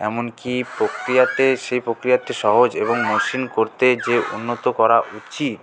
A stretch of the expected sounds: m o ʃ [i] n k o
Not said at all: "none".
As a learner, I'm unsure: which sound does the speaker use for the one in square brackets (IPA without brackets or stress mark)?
i